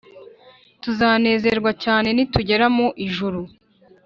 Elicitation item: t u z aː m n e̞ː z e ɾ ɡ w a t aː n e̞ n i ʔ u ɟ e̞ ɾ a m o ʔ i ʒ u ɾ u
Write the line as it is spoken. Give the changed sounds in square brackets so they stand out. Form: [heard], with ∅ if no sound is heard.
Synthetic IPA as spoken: t u z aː [∅] n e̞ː z e ɾ ɡ w a [c] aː n e̞ n i [t] u ɟ e̞ ɾ a m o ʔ i ʒ u ɾ u